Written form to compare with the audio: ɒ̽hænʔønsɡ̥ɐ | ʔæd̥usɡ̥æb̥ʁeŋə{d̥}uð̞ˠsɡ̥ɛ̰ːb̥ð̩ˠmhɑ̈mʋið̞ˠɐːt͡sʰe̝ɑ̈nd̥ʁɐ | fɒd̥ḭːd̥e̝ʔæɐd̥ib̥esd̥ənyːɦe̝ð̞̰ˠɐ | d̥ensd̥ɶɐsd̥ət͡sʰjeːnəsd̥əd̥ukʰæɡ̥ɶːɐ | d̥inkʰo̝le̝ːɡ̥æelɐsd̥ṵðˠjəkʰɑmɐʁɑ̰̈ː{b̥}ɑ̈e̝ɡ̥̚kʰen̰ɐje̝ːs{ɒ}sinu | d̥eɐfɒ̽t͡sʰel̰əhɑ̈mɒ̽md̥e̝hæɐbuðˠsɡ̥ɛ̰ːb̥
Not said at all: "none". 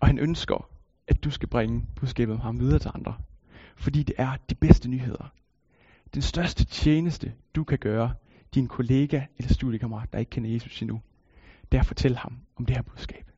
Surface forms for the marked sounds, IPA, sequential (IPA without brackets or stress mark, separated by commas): b̥, d̥, u